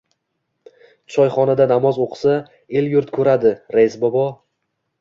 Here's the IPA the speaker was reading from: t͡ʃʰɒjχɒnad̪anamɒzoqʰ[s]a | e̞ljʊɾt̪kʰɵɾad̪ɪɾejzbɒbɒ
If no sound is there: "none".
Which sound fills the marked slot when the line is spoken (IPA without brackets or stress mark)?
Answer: s